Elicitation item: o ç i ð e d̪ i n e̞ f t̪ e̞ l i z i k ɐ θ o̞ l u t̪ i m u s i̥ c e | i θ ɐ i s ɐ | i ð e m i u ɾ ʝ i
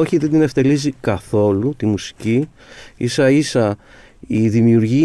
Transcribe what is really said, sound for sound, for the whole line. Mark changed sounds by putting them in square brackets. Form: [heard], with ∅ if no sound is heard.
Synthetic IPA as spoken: o ç i ð e d̪ i n e̞ f t̪ e̞ l i z i k ɐ θ o̞ l u t̪ i m u s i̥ c [i] | i [s] ɐ i s ɐ | i ð [i] m i u ɾ ʝ i